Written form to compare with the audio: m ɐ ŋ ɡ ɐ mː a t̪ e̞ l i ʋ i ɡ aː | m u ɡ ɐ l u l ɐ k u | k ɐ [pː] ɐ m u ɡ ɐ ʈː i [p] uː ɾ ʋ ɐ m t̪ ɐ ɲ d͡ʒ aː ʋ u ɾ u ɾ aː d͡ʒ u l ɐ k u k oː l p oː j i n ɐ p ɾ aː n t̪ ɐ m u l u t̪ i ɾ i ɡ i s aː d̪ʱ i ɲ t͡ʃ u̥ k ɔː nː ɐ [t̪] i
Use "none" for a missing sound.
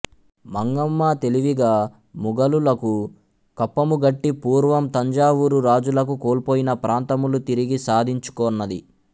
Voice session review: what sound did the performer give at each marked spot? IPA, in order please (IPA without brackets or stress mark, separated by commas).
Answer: pː, p, d̪